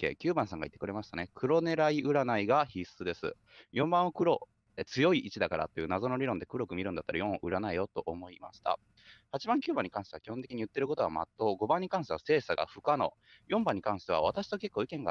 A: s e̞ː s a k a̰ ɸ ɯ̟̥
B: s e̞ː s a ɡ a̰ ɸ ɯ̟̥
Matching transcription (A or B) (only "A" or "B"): B